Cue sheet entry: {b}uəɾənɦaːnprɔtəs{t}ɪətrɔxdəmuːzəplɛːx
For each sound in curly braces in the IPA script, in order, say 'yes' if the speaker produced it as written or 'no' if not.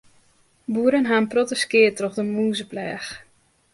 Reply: yes, no

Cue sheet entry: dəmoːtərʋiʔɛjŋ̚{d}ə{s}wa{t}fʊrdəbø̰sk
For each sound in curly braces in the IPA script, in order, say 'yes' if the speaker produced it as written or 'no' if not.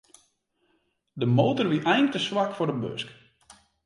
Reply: no, yes, no

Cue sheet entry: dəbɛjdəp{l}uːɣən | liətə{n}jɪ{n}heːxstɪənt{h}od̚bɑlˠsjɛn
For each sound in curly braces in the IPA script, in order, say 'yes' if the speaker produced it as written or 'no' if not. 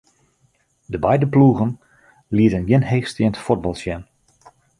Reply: yes, yes, yes, no

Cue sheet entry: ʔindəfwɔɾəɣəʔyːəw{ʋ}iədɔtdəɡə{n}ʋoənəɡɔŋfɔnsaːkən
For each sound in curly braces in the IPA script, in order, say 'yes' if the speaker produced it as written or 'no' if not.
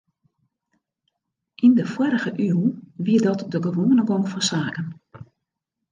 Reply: yes, no

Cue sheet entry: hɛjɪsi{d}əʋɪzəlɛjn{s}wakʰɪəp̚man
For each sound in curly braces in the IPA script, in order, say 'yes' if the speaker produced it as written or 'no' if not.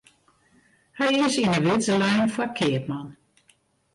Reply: no, no

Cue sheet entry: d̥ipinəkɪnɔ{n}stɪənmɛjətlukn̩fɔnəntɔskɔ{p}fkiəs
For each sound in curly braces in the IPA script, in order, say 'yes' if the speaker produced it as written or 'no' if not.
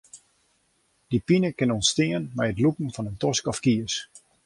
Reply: yes, no

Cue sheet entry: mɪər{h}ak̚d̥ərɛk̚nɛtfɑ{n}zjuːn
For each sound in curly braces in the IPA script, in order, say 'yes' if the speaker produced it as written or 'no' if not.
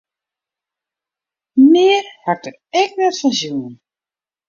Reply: yes, yes

